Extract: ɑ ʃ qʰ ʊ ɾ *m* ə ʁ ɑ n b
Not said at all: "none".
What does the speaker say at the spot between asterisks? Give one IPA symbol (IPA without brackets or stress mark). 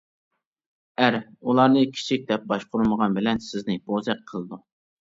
m